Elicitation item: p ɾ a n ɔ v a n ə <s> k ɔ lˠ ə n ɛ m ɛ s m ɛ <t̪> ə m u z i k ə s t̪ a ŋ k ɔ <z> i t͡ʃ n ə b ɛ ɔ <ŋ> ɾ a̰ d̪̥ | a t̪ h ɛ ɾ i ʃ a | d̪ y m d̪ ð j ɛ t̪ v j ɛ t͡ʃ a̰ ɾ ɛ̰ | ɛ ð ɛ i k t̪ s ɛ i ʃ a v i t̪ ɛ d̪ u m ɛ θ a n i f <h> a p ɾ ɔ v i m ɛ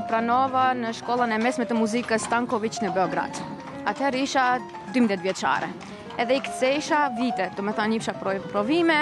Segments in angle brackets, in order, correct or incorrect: incorrect: ʃ, correct, incorrect: v, incorrect: ɡ, incorrect: ʃ

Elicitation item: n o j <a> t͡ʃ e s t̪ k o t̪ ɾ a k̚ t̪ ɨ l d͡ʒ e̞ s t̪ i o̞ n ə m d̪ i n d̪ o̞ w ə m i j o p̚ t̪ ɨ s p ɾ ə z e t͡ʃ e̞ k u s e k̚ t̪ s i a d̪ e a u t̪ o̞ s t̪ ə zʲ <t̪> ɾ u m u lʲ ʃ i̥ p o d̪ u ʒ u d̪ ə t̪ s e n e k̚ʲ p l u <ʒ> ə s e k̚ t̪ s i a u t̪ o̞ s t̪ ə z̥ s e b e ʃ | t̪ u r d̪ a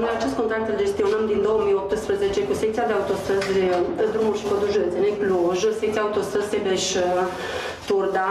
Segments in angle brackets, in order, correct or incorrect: correct, incorrect: d̪, correct

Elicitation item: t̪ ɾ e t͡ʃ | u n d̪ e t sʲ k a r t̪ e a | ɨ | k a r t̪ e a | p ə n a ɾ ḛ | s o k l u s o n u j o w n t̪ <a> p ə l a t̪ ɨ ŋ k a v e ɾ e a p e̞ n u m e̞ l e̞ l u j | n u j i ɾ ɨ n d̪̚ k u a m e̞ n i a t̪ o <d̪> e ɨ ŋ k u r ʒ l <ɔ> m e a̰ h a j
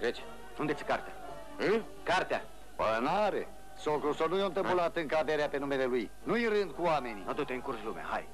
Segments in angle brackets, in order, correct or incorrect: incorrect: ə, incorrect: t̪, incorrect: u

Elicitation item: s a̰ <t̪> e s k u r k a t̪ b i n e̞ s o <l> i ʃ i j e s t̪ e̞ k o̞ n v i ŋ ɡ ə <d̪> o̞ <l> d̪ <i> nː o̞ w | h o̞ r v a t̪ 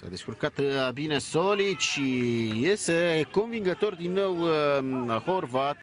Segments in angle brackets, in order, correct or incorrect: incorrect: d̪, correct, incorrect: t̪, incorrect: r, correct

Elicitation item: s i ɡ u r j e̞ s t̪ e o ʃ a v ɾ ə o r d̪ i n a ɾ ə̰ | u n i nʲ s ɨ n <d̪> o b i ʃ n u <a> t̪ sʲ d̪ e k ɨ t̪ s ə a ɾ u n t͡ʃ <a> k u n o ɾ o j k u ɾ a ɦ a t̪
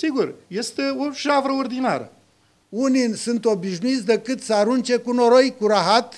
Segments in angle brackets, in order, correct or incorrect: incorrect: t̪, incorrect: i, incorrect: e

